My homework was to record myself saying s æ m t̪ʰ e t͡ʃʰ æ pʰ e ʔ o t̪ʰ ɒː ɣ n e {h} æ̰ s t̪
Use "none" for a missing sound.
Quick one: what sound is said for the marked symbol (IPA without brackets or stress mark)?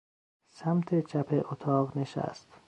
ʃ